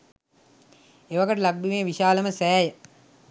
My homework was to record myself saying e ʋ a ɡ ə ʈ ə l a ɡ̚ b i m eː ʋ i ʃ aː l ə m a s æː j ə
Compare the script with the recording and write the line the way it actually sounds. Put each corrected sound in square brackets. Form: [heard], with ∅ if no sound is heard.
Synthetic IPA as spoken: e ʋ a ɡ ə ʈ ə l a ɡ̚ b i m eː ʋ i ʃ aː l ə m [ə] s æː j ə